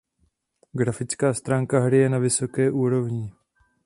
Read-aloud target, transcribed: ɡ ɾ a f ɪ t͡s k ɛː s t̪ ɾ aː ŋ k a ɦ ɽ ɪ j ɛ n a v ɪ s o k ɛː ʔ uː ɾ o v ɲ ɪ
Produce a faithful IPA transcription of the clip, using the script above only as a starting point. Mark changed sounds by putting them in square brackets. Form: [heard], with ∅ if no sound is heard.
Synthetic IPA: ɡ ɾ a f ɪ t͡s k [aː] s t̪ ɾ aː ŋ k a ɦ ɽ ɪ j ɛ n a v ɪ s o k ɛː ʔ uː ɾ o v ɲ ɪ

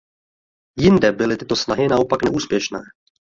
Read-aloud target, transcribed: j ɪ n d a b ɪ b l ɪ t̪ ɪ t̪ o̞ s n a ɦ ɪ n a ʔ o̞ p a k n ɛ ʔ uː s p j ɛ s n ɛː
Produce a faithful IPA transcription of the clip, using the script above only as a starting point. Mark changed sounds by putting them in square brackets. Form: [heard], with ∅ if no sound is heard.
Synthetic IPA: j ɪ n d [ɛ] b ɪ [∅] l ɪ t̪ ɪ t̪ o̞ s n a ɦ ɪ n a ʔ o̞ p a k n ɛ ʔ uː s p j ɛ [ʃ] n ɛː

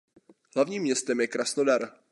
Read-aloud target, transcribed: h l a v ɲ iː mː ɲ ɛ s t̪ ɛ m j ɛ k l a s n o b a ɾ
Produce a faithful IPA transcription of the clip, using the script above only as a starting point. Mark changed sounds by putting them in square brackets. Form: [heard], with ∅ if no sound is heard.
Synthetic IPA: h l a v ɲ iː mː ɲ ɛ s t̪ ɛ m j ɛ k [ɾ] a s n o [d] a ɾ

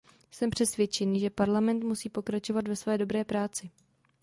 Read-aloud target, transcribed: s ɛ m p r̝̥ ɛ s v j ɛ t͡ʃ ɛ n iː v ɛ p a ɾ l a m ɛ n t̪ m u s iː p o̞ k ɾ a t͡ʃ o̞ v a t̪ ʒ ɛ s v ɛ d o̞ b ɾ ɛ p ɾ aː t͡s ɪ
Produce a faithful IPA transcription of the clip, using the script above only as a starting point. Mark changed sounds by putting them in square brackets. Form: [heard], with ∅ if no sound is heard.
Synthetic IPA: s ɛ m p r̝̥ ɛ s v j ɛ t͡ʃ ɛ n iː [ʒ] ɛ p a ɾ l a m ɛ n t̪ m u s iː p o̞ k ɾ a t͡ʃ o̞ v a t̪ [v] ɛ s v [ɛː] d o̞ b ɾ [ɛː] p ɾ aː t͡s ɪ

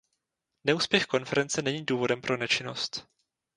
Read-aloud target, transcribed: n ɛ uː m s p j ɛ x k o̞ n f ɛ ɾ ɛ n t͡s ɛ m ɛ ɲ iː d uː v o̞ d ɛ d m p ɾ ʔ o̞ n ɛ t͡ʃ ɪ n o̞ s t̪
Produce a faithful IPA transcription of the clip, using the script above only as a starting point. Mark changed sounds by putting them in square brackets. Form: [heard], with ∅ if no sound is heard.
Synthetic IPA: n ɛ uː [∅] s p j ɛ x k o̞ n f ɛ ɾ ɛ n t͡s ɛ [n] ɛ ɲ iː d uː v o̞ d ɛ [∅] m p ɾ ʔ o̞ n ɛ t͡ʃ ɪ n o̞ s t̪

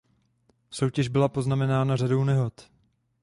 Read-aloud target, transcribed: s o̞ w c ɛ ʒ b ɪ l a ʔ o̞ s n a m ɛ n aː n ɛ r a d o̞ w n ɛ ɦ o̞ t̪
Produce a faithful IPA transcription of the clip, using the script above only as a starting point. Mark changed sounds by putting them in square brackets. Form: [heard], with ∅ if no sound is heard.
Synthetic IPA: s o̞ w c ɛ ʒ b ɪ l a [p] o̞ [z] n a m ɛ n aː n [a] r a d o̞ w n ɛ ɦ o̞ t̪

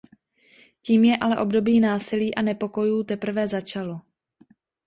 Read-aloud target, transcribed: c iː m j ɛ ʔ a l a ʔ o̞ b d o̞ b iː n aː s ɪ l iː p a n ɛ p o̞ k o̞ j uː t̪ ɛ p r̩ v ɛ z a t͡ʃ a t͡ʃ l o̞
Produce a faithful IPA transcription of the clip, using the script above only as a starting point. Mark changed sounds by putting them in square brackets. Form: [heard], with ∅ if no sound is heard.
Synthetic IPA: c iː m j ɛ ʔ a l [ɛ] ʔ o̞ b d o̞ b iː n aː s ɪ l iː [ʔ] a n ɛ p o̞ k o̞ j uː t̪ ɛ p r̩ v ɛ z a t͡ʃ a [∅] l o̞

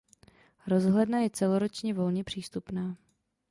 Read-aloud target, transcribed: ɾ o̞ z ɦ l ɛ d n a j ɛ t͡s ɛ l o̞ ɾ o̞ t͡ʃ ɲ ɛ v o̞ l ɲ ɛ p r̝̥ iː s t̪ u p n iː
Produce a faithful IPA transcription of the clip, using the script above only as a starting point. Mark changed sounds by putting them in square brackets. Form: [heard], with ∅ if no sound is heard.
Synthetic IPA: ɾ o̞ z ɦ l ɛ d n a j ɛ t͡s ɛ l o̞ ɾ o̞ t͡ʃ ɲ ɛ v o̞ l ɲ ɛ p r̝̥ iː s t̪ u p n [aː]

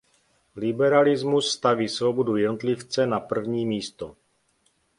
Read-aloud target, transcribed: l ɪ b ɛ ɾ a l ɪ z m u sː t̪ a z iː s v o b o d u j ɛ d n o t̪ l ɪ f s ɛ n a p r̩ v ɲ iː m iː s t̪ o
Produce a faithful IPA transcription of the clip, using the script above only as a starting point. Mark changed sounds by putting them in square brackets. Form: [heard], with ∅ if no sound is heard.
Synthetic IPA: l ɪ b ɛ ɾ a l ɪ z m u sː t̪ a [v] iː s v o b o d u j ɛ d n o t̪ l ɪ f [t͡s] ɛ n a p r̩ v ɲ iː m iː s t̪ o

